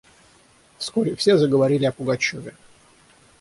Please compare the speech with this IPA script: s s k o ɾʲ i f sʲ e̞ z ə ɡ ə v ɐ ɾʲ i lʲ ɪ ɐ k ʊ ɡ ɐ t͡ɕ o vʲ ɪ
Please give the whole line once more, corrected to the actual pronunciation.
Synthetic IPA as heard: f s k o ɾʲ ɪ f sʲ e̞ z ə ɡ ə v ɐ ɾʲ i lʲ ɪ ɐ p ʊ ɡ ɐ t͡ɕ o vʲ ɪ